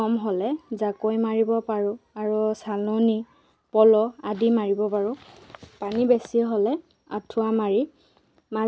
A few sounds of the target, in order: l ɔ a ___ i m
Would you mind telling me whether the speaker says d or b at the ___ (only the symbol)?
d